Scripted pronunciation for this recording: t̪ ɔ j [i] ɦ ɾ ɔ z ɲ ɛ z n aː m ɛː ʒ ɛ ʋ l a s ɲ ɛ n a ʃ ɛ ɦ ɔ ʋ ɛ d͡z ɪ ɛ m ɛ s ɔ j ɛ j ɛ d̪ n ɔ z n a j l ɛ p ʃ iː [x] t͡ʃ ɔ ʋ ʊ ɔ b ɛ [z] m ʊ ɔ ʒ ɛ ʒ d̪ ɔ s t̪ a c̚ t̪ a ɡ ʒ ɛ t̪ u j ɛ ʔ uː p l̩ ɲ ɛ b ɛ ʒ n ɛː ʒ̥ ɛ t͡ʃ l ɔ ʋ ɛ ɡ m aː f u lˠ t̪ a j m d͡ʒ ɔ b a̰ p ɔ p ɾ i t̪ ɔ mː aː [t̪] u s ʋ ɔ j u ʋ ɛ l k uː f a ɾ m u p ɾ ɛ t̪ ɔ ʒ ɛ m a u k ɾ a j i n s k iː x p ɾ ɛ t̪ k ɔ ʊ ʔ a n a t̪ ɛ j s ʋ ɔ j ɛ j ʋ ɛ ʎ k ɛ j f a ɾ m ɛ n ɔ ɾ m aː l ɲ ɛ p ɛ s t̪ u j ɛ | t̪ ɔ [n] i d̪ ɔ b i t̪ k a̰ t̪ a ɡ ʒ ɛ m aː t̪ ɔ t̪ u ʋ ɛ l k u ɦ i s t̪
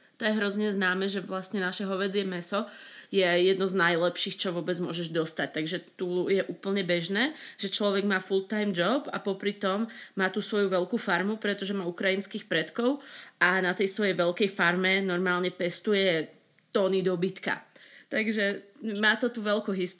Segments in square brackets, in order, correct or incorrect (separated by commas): incorrect, correct, incorrect, correct, correct